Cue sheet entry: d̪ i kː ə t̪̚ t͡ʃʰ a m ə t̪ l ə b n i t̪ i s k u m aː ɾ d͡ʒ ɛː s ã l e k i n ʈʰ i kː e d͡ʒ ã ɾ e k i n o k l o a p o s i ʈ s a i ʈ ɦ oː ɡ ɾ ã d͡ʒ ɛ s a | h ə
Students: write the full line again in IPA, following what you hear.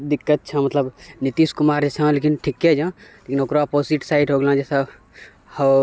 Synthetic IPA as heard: d̪ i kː ə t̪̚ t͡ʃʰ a m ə t̪ l ə b n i t̪ i s k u m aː ɾ d͡ʒ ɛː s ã l e k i n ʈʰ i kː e d͡ʒ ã l e k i n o k ɾ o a p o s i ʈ s a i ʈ ɦ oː ɡ l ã d͡ʒ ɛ s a | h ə